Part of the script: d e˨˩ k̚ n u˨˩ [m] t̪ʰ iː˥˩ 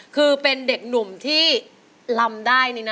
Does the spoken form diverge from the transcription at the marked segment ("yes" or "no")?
no